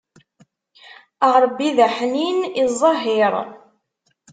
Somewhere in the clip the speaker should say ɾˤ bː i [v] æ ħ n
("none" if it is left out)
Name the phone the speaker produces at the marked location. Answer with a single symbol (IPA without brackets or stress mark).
ð